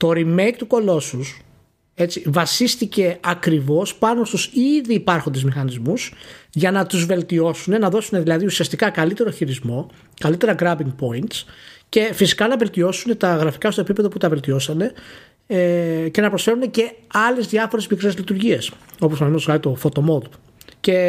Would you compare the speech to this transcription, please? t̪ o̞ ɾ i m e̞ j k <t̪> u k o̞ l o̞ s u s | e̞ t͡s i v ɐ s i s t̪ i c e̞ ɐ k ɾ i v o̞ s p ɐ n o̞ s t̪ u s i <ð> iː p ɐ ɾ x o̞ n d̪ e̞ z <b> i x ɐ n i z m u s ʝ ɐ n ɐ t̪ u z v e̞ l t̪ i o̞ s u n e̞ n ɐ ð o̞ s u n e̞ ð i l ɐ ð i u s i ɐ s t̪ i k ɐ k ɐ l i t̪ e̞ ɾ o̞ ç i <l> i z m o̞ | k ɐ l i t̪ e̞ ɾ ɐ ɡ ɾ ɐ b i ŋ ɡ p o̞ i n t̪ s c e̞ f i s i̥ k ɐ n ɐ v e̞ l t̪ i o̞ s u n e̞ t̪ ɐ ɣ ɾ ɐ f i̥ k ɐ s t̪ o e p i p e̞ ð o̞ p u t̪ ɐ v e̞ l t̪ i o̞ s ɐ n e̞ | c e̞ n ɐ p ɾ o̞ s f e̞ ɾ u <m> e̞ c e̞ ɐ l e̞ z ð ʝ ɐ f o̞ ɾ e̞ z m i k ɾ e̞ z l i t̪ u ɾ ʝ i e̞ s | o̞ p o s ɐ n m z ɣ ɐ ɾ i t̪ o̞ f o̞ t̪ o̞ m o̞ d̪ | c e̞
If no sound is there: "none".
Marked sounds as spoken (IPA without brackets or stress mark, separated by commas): t̪, ð, m, ɾ, n